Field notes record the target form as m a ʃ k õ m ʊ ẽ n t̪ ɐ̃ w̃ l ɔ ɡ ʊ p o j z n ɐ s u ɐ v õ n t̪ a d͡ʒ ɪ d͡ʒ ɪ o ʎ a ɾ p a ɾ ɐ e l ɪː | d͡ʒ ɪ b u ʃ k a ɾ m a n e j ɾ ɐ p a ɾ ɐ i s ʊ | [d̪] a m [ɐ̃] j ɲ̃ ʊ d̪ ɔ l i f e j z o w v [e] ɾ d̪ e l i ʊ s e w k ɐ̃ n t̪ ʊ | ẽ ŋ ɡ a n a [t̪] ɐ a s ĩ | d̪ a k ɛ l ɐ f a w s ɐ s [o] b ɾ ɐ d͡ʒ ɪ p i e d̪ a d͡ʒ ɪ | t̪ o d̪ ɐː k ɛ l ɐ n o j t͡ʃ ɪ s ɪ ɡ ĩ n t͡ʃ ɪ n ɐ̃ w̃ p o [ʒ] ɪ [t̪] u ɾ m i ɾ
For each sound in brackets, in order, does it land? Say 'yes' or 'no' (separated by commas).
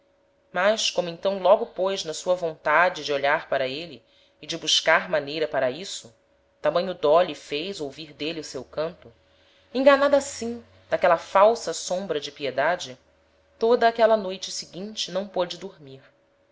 no, yes, no, no, no, no, no